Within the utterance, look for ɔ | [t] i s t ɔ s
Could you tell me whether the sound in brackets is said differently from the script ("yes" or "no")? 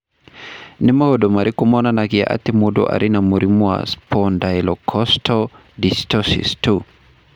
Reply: yes